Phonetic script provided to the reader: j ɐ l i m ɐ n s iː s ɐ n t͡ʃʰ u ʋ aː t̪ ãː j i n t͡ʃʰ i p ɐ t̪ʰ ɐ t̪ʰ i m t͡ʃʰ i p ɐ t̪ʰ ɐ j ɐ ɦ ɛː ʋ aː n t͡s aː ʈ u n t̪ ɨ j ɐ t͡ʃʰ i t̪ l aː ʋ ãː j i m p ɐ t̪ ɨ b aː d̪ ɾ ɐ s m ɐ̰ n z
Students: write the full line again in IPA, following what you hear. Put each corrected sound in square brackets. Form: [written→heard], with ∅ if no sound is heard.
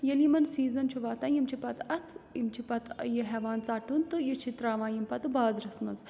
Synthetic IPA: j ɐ l i m ɐ n s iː [s→z] ɐ n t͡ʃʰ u ʋ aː t̪ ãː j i [n→m] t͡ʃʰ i p ɐ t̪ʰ ɐ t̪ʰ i m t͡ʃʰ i p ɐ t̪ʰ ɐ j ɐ ɦ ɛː ʋ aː n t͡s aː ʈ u n t̪ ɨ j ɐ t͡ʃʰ i t̪ [l→ɾ] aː ʋ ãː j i m p ɐ t̪ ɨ b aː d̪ ɾ ɐ s m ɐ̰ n z

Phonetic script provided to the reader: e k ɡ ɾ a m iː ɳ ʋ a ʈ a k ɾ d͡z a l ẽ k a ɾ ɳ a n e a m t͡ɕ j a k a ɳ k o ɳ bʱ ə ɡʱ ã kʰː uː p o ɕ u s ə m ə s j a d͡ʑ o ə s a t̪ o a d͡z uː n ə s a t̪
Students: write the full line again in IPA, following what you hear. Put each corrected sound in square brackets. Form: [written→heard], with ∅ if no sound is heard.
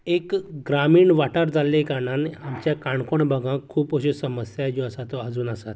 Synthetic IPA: e k ɡ ɾ a m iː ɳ ʋ a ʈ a [k→∅] ɾ d͡z a l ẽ k a ɾ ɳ a n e a m t͡ɕ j a k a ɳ k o ɳ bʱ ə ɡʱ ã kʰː uː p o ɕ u s ə m ə s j a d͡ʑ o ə s a t̪ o a d͡z uː n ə s a t̪

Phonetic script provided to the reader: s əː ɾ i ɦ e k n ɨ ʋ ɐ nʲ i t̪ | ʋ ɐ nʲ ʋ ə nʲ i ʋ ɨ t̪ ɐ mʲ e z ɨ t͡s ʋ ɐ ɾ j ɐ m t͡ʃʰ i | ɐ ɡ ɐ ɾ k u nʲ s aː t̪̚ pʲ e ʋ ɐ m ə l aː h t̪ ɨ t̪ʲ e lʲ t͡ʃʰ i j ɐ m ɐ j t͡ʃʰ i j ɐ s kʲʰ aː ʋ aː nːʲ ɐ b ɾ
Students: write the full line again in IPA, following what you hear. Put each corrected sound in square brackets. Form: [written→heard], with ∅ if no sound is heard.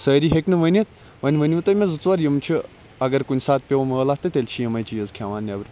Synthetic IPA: s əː ɾ i ɦ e k n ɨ ʋ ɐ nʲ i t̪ | ʋ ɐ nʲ ʋ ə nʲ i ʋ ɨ t̪ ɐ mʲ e z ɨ t͡s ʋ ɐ ɾ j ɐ m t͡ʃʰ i | ɐ ɡ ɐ ɾ k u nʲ s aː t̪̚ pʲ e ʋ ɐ m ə l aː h t̪ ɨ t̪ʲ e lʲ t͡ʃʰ i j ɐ m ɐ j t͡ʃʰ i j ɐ [s→z] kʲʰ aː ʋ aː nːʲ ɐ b ɾ

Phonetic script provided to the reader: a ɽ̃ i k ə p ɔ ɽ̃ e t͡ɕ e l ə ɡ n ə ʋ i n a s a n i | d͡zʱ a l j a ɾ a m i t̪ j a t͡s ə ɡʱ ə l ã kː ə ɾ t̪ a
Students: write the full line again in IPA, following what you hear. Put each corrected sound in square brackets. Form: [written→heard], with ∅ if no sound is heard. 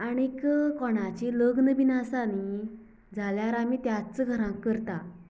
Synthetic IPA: a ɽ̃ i k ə [p→k] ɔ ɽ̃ [e→a] t͡ɕ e l ə ɡ n ə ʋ i n a s a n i | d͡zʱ a l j a ɾ a m i t̪ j a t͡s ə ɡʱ ə [l→ɾ] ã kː ə ɾ t̪ a

